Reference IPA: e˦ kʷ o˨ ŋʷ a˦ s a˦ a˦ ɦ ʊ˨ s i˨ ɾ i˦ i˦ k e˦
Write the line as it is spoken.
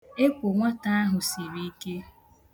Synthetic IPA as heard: e˦ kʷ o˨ ŋʷ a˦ t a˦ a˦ ɦ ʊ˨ s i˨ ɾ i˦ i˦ k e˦